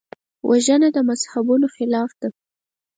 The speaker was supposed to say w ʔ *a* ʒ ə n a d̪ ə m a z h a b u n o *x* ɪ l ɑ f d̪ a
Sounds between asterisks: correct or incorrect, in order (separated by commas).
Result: correct, correct